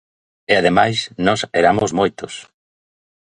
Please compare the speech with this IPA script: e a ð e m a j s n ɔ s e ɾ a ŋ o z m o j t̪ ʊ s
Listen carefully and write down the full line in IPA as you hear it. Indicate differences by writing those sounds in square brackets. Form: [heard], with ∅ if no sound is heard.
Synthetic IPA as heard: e a ð e m a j s n ɔ s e ɾ a [m] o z m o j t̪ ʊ s